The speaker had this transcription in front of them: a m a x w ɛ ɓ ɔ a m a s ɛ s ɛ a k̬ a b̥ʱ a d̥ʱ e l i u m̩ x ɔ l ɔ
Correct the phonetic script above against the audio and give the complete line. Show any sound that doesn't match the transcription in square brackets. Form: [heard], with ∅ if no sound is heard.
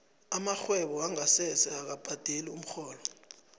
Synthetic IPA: a m a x w ɛ ɓ ɔ a [ŋ] a s ɛ s ɛ a k̬ a b̥ʱ a d̥ʱ e l i u m̩ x [ɔː] l ɔ